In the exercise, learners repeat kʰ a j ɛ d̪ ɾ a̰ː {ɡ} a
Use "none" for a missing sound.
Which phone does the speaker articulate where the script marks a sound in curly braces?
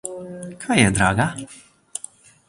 ɡ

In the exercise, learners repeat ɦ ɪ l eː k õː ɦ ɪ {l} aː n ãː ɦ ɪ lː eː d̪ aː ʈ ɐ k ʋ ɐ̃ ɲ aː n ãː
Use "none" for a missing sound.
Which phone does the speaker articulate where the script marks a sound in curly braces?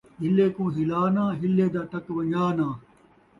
l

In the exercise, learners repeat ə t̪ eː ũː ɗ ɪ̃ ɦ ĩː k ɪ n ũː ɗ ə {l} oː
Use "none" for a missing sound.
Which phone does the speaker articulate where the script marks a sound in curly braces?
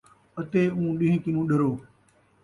ɾ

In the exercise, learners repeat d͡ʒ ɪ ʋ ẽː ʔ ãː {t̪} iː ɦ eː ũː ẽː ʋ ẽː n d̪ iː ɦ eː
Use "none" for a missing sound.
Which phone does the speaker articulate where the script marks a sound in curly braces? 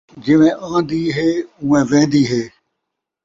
d̪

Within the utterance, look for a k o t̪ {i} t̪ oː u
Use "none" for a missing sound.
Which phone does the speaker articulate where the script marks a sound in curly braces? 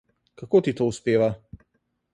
i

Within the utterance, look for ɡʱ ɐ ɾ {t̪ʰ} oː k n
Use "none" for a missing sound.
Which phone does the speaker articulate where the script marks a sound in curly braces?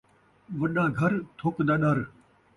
t̪ʰ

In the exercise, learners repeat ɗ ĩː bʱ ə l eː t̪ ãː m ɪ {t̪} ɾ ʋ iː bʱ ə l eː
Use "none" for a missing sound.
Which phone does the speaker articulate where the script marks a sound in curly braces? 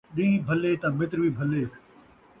t̪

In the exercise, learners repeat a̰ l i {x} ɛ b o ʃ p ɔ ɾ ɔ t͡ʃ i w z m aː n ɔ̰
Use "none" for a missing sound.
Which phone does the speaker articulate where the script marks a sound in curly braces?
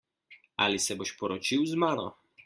s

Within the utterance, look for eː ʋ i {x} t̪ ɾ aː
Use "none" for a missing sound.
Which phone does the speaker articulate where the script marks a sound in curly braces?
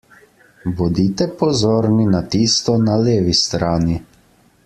s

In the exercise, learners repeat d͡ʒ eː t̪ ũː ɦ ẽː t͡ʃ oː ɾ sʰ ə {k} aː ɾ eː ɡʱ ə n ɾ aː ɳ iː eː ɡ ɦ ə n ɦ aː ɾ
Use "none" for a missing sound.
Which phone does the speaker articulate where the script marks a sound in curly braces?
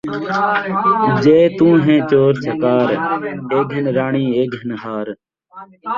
k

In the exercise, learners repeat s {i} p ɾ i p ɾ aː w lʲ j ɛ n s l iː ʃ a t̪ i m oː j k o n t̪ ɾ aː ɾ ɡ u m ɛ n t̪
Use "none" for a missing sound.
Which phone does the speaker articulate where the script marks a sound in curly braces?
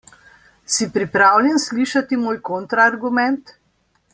i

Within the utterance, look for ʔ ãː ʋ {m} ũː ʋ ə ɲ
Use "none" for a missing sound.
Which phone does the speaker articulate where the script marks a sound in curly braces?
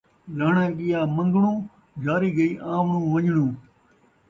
ɳ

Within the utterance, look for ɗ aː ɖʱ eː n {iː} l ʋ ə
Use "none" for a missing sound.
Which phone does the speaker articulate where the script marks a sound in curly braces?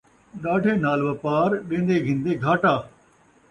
aː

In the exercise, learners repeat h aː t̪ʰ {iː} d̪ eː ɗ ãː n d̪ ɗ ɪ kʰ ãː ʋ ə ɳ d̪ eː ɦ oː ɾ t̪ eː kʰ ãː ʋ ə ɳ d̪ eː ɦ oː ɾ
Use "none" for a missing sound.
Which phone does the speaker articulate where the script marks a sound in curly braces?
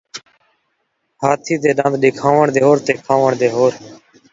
iː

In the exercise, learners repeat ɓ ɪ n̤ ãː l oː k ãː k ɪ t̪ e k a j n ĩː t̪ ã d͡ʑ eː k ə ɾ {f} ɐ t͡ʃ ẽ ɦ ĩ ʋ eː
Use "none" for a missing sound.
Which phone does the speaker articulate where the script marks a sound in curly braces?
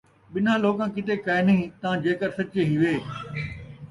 s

